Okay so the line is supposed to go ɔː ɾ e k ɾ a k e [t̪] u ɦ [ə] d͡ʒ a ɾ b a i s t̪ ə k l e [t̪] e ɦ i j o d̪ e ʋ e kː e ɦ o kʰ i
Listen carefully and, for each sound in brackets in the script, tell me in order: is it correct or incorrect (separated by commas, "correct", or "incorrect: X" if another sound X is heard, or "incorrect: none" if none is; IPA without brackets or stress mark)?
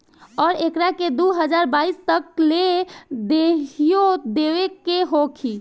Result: incorrect: d̪, correct, incorrect: d̪